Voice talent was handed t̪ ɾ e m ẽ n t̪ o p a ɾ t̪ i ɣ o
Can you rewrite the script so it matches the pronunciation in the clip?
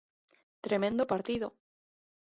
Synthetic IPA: t̪ ɾ e m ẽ n d̪ o p a ɾ t̪ i ð o